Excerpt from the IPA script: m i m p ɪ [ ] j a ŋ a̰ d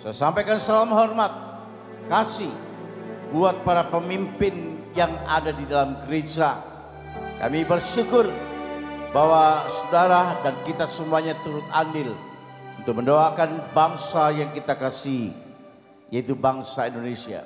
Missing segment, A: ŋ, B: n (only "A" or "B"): B